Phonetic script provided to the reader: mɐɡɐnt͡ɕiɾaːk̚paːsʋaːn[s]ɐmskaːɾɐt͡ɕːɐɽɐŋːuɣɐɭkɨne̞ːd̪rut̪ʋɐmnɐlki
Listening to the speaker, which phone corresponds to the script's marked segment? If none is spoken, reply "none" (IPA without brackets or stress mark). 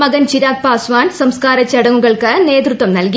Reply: s